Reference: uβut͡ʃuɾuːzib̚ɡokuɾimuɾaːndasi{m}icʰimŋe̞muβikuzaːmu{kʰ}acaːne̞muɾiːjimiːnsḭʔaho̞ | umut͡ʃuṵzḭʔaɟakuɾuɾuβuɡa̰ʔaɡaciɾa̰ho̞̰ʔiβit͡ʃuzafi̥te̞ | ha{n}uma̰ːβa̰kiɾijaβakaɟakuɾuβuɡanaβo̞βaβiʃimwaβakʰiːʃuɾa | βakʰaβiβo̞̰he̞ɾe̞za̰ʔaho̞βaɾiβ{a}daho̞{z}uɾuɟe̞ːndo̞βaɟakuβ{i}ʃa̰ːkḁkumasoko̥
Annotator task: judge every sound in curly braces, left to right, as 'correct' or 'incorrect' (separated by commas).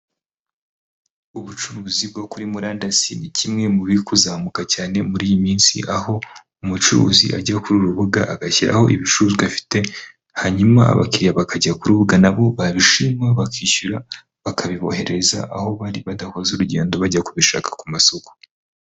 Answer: incorrect, incorrect, incorrect, correct, correct, correct